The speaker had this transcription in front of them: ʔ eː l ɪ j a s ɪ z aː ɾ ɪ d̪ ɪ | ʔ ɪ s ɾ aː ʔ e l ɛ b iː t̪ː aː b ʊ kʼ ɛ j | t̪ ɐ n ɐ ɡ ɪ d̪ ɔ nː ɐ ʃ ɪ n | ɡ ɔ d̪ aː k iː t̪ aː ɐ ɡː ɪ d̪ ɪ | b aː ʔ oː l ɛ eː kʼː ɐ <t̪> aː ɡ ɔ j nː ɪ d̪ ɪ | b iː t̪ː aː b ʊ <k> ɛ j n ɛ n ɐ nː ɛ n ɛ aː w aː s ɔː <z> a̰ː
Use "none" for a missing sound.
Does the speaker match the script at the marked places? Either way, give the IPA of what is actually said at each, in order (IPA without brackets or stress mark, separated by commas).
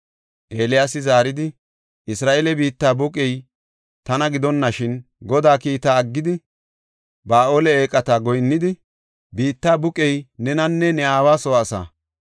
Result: t̪, kʼ, s